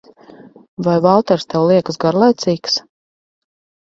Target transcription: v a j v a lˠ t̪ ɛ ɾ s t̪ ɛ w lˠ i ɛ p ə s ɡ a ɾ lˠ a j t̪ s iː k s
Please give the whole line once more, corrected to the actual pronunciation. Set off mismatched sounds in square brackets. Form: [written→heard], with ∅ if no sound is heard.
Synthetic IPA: v a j v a lˠ t̪ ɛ ɾ s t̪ ɛ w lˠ i ɛ [p→k] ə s ɡ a ɾ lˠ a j t̪ s iː k s

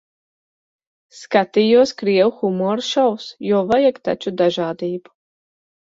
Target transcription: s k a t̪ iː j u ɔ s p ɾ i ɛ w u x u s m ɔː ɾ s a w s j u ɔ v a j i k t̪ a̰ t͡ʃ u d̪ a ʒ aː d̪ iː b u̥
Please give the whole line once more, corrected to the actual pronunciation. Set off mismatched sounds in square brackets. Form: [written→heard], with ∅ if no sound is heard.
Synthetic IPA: s k a t̪ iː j u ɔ s [p→k] ɾ i ɛ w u x u [s→∅] m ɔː ɾ [s→ʃ] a w s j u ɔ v a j [i→a] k t̪ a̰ t͡ʃ u d̪ a ʒ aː d̪ iː b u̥

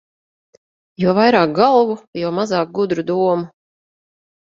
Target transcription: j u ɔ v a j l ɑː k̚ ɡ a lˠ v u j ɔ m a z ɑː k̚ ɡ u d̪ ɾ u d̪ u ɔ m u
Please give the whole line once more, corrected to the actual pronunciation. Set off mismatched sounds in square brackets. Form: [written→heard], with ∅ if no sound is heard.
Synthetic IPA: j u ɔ v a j [l→ɾ] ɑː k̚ ɡ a lˠ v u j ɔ m a z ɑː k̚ ɡ u d̪ ɾ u d̪ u ɔ m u

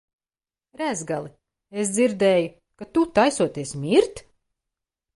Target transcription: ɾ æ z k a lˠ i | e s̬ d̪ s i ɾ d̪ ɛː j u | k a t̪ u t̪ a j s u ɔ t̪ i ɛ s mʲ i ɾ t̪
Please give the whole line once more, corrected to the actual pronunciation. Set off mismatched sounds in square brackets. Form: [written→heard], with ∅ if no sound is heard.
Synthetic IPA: ɾ æ z [k→ɡ] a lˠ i | e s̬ d̪ [s→z] i ɾ d̪ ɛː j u | k a t̪ u t̪ a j s u ɔ t̪ i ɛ s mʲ i ɾ t̪

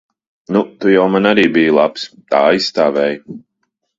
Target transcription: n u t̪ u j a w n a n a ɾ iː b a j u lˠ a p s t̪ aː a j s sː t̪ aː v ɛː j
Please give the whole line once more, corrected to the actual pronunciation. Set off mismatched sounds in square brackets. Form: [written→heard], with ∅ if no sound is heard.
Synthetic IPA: n u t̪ u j a w [n→m] a n a ɾ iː b [a→i] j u lˠ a p s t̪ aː a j s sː t̪ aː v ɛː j

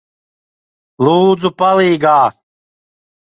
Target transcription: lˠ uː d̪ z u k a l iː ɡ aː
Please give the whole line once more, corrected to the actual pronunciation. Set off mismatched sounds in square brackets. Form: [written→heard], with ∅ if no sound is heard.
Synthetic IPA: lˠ uː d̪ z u [k→p] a l iː ɡ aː

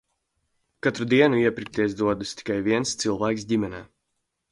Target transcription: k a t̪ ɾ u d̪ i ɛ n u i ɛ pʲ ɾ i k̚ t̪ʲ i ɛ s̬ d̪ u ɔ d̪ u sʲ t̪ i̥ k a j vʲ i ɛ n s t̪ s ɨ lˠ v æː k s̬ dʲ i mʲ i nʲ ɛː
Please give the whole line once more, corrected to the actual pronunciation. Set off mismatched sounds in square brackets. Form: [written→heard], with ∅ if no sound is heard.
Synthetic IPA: k a t̪ ɾ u d̪ i ɛ n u i ɛ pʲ ɾ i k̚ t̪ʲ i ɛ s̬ d̪ u ɔ d̪ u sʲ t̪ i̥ k a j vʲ i ɛ n s t̪ s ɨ lˠ v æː k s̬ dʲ i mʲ [i→ɛ] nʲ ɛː

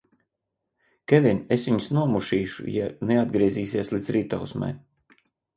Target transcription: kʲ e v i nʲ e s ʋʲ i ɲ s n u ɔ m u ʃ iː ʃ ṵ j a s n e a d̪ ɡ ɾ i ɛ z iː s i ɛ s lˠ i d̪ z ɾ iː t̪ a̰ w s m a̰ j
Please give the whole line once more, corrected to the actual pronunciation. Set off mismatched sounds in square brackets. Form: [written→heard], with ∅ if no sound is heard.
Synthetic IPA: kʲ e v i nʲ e s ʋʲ i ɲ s n u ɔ m u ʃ iː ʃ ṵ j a [s→∅] n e a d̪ ɡ ɾ i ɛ z iː s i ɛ s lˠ i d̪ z ɾ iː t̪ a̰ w s m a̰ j

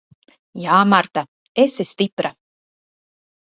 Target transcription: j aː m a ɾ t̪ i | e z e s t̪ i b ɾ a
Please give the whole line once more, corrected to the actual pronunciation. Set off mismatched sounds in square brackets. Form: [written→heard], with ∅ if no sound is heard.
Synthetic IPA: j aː m a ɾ t̪ [i→a] | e [z→s] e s t̪ i [b→p] ɾ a

